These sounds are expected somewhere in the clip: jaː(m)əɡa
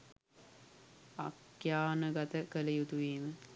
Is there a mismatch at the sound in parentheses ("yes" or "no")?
yes